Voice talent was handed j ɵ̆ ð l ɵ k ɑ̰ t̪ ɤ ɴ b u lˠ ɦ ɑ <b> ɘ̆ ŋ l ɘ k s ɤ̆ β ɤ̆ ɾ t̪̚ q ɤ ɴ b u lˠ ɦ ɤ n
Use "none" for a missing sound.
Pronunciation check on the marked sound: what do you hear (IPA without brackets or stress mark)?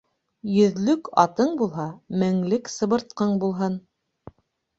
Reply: m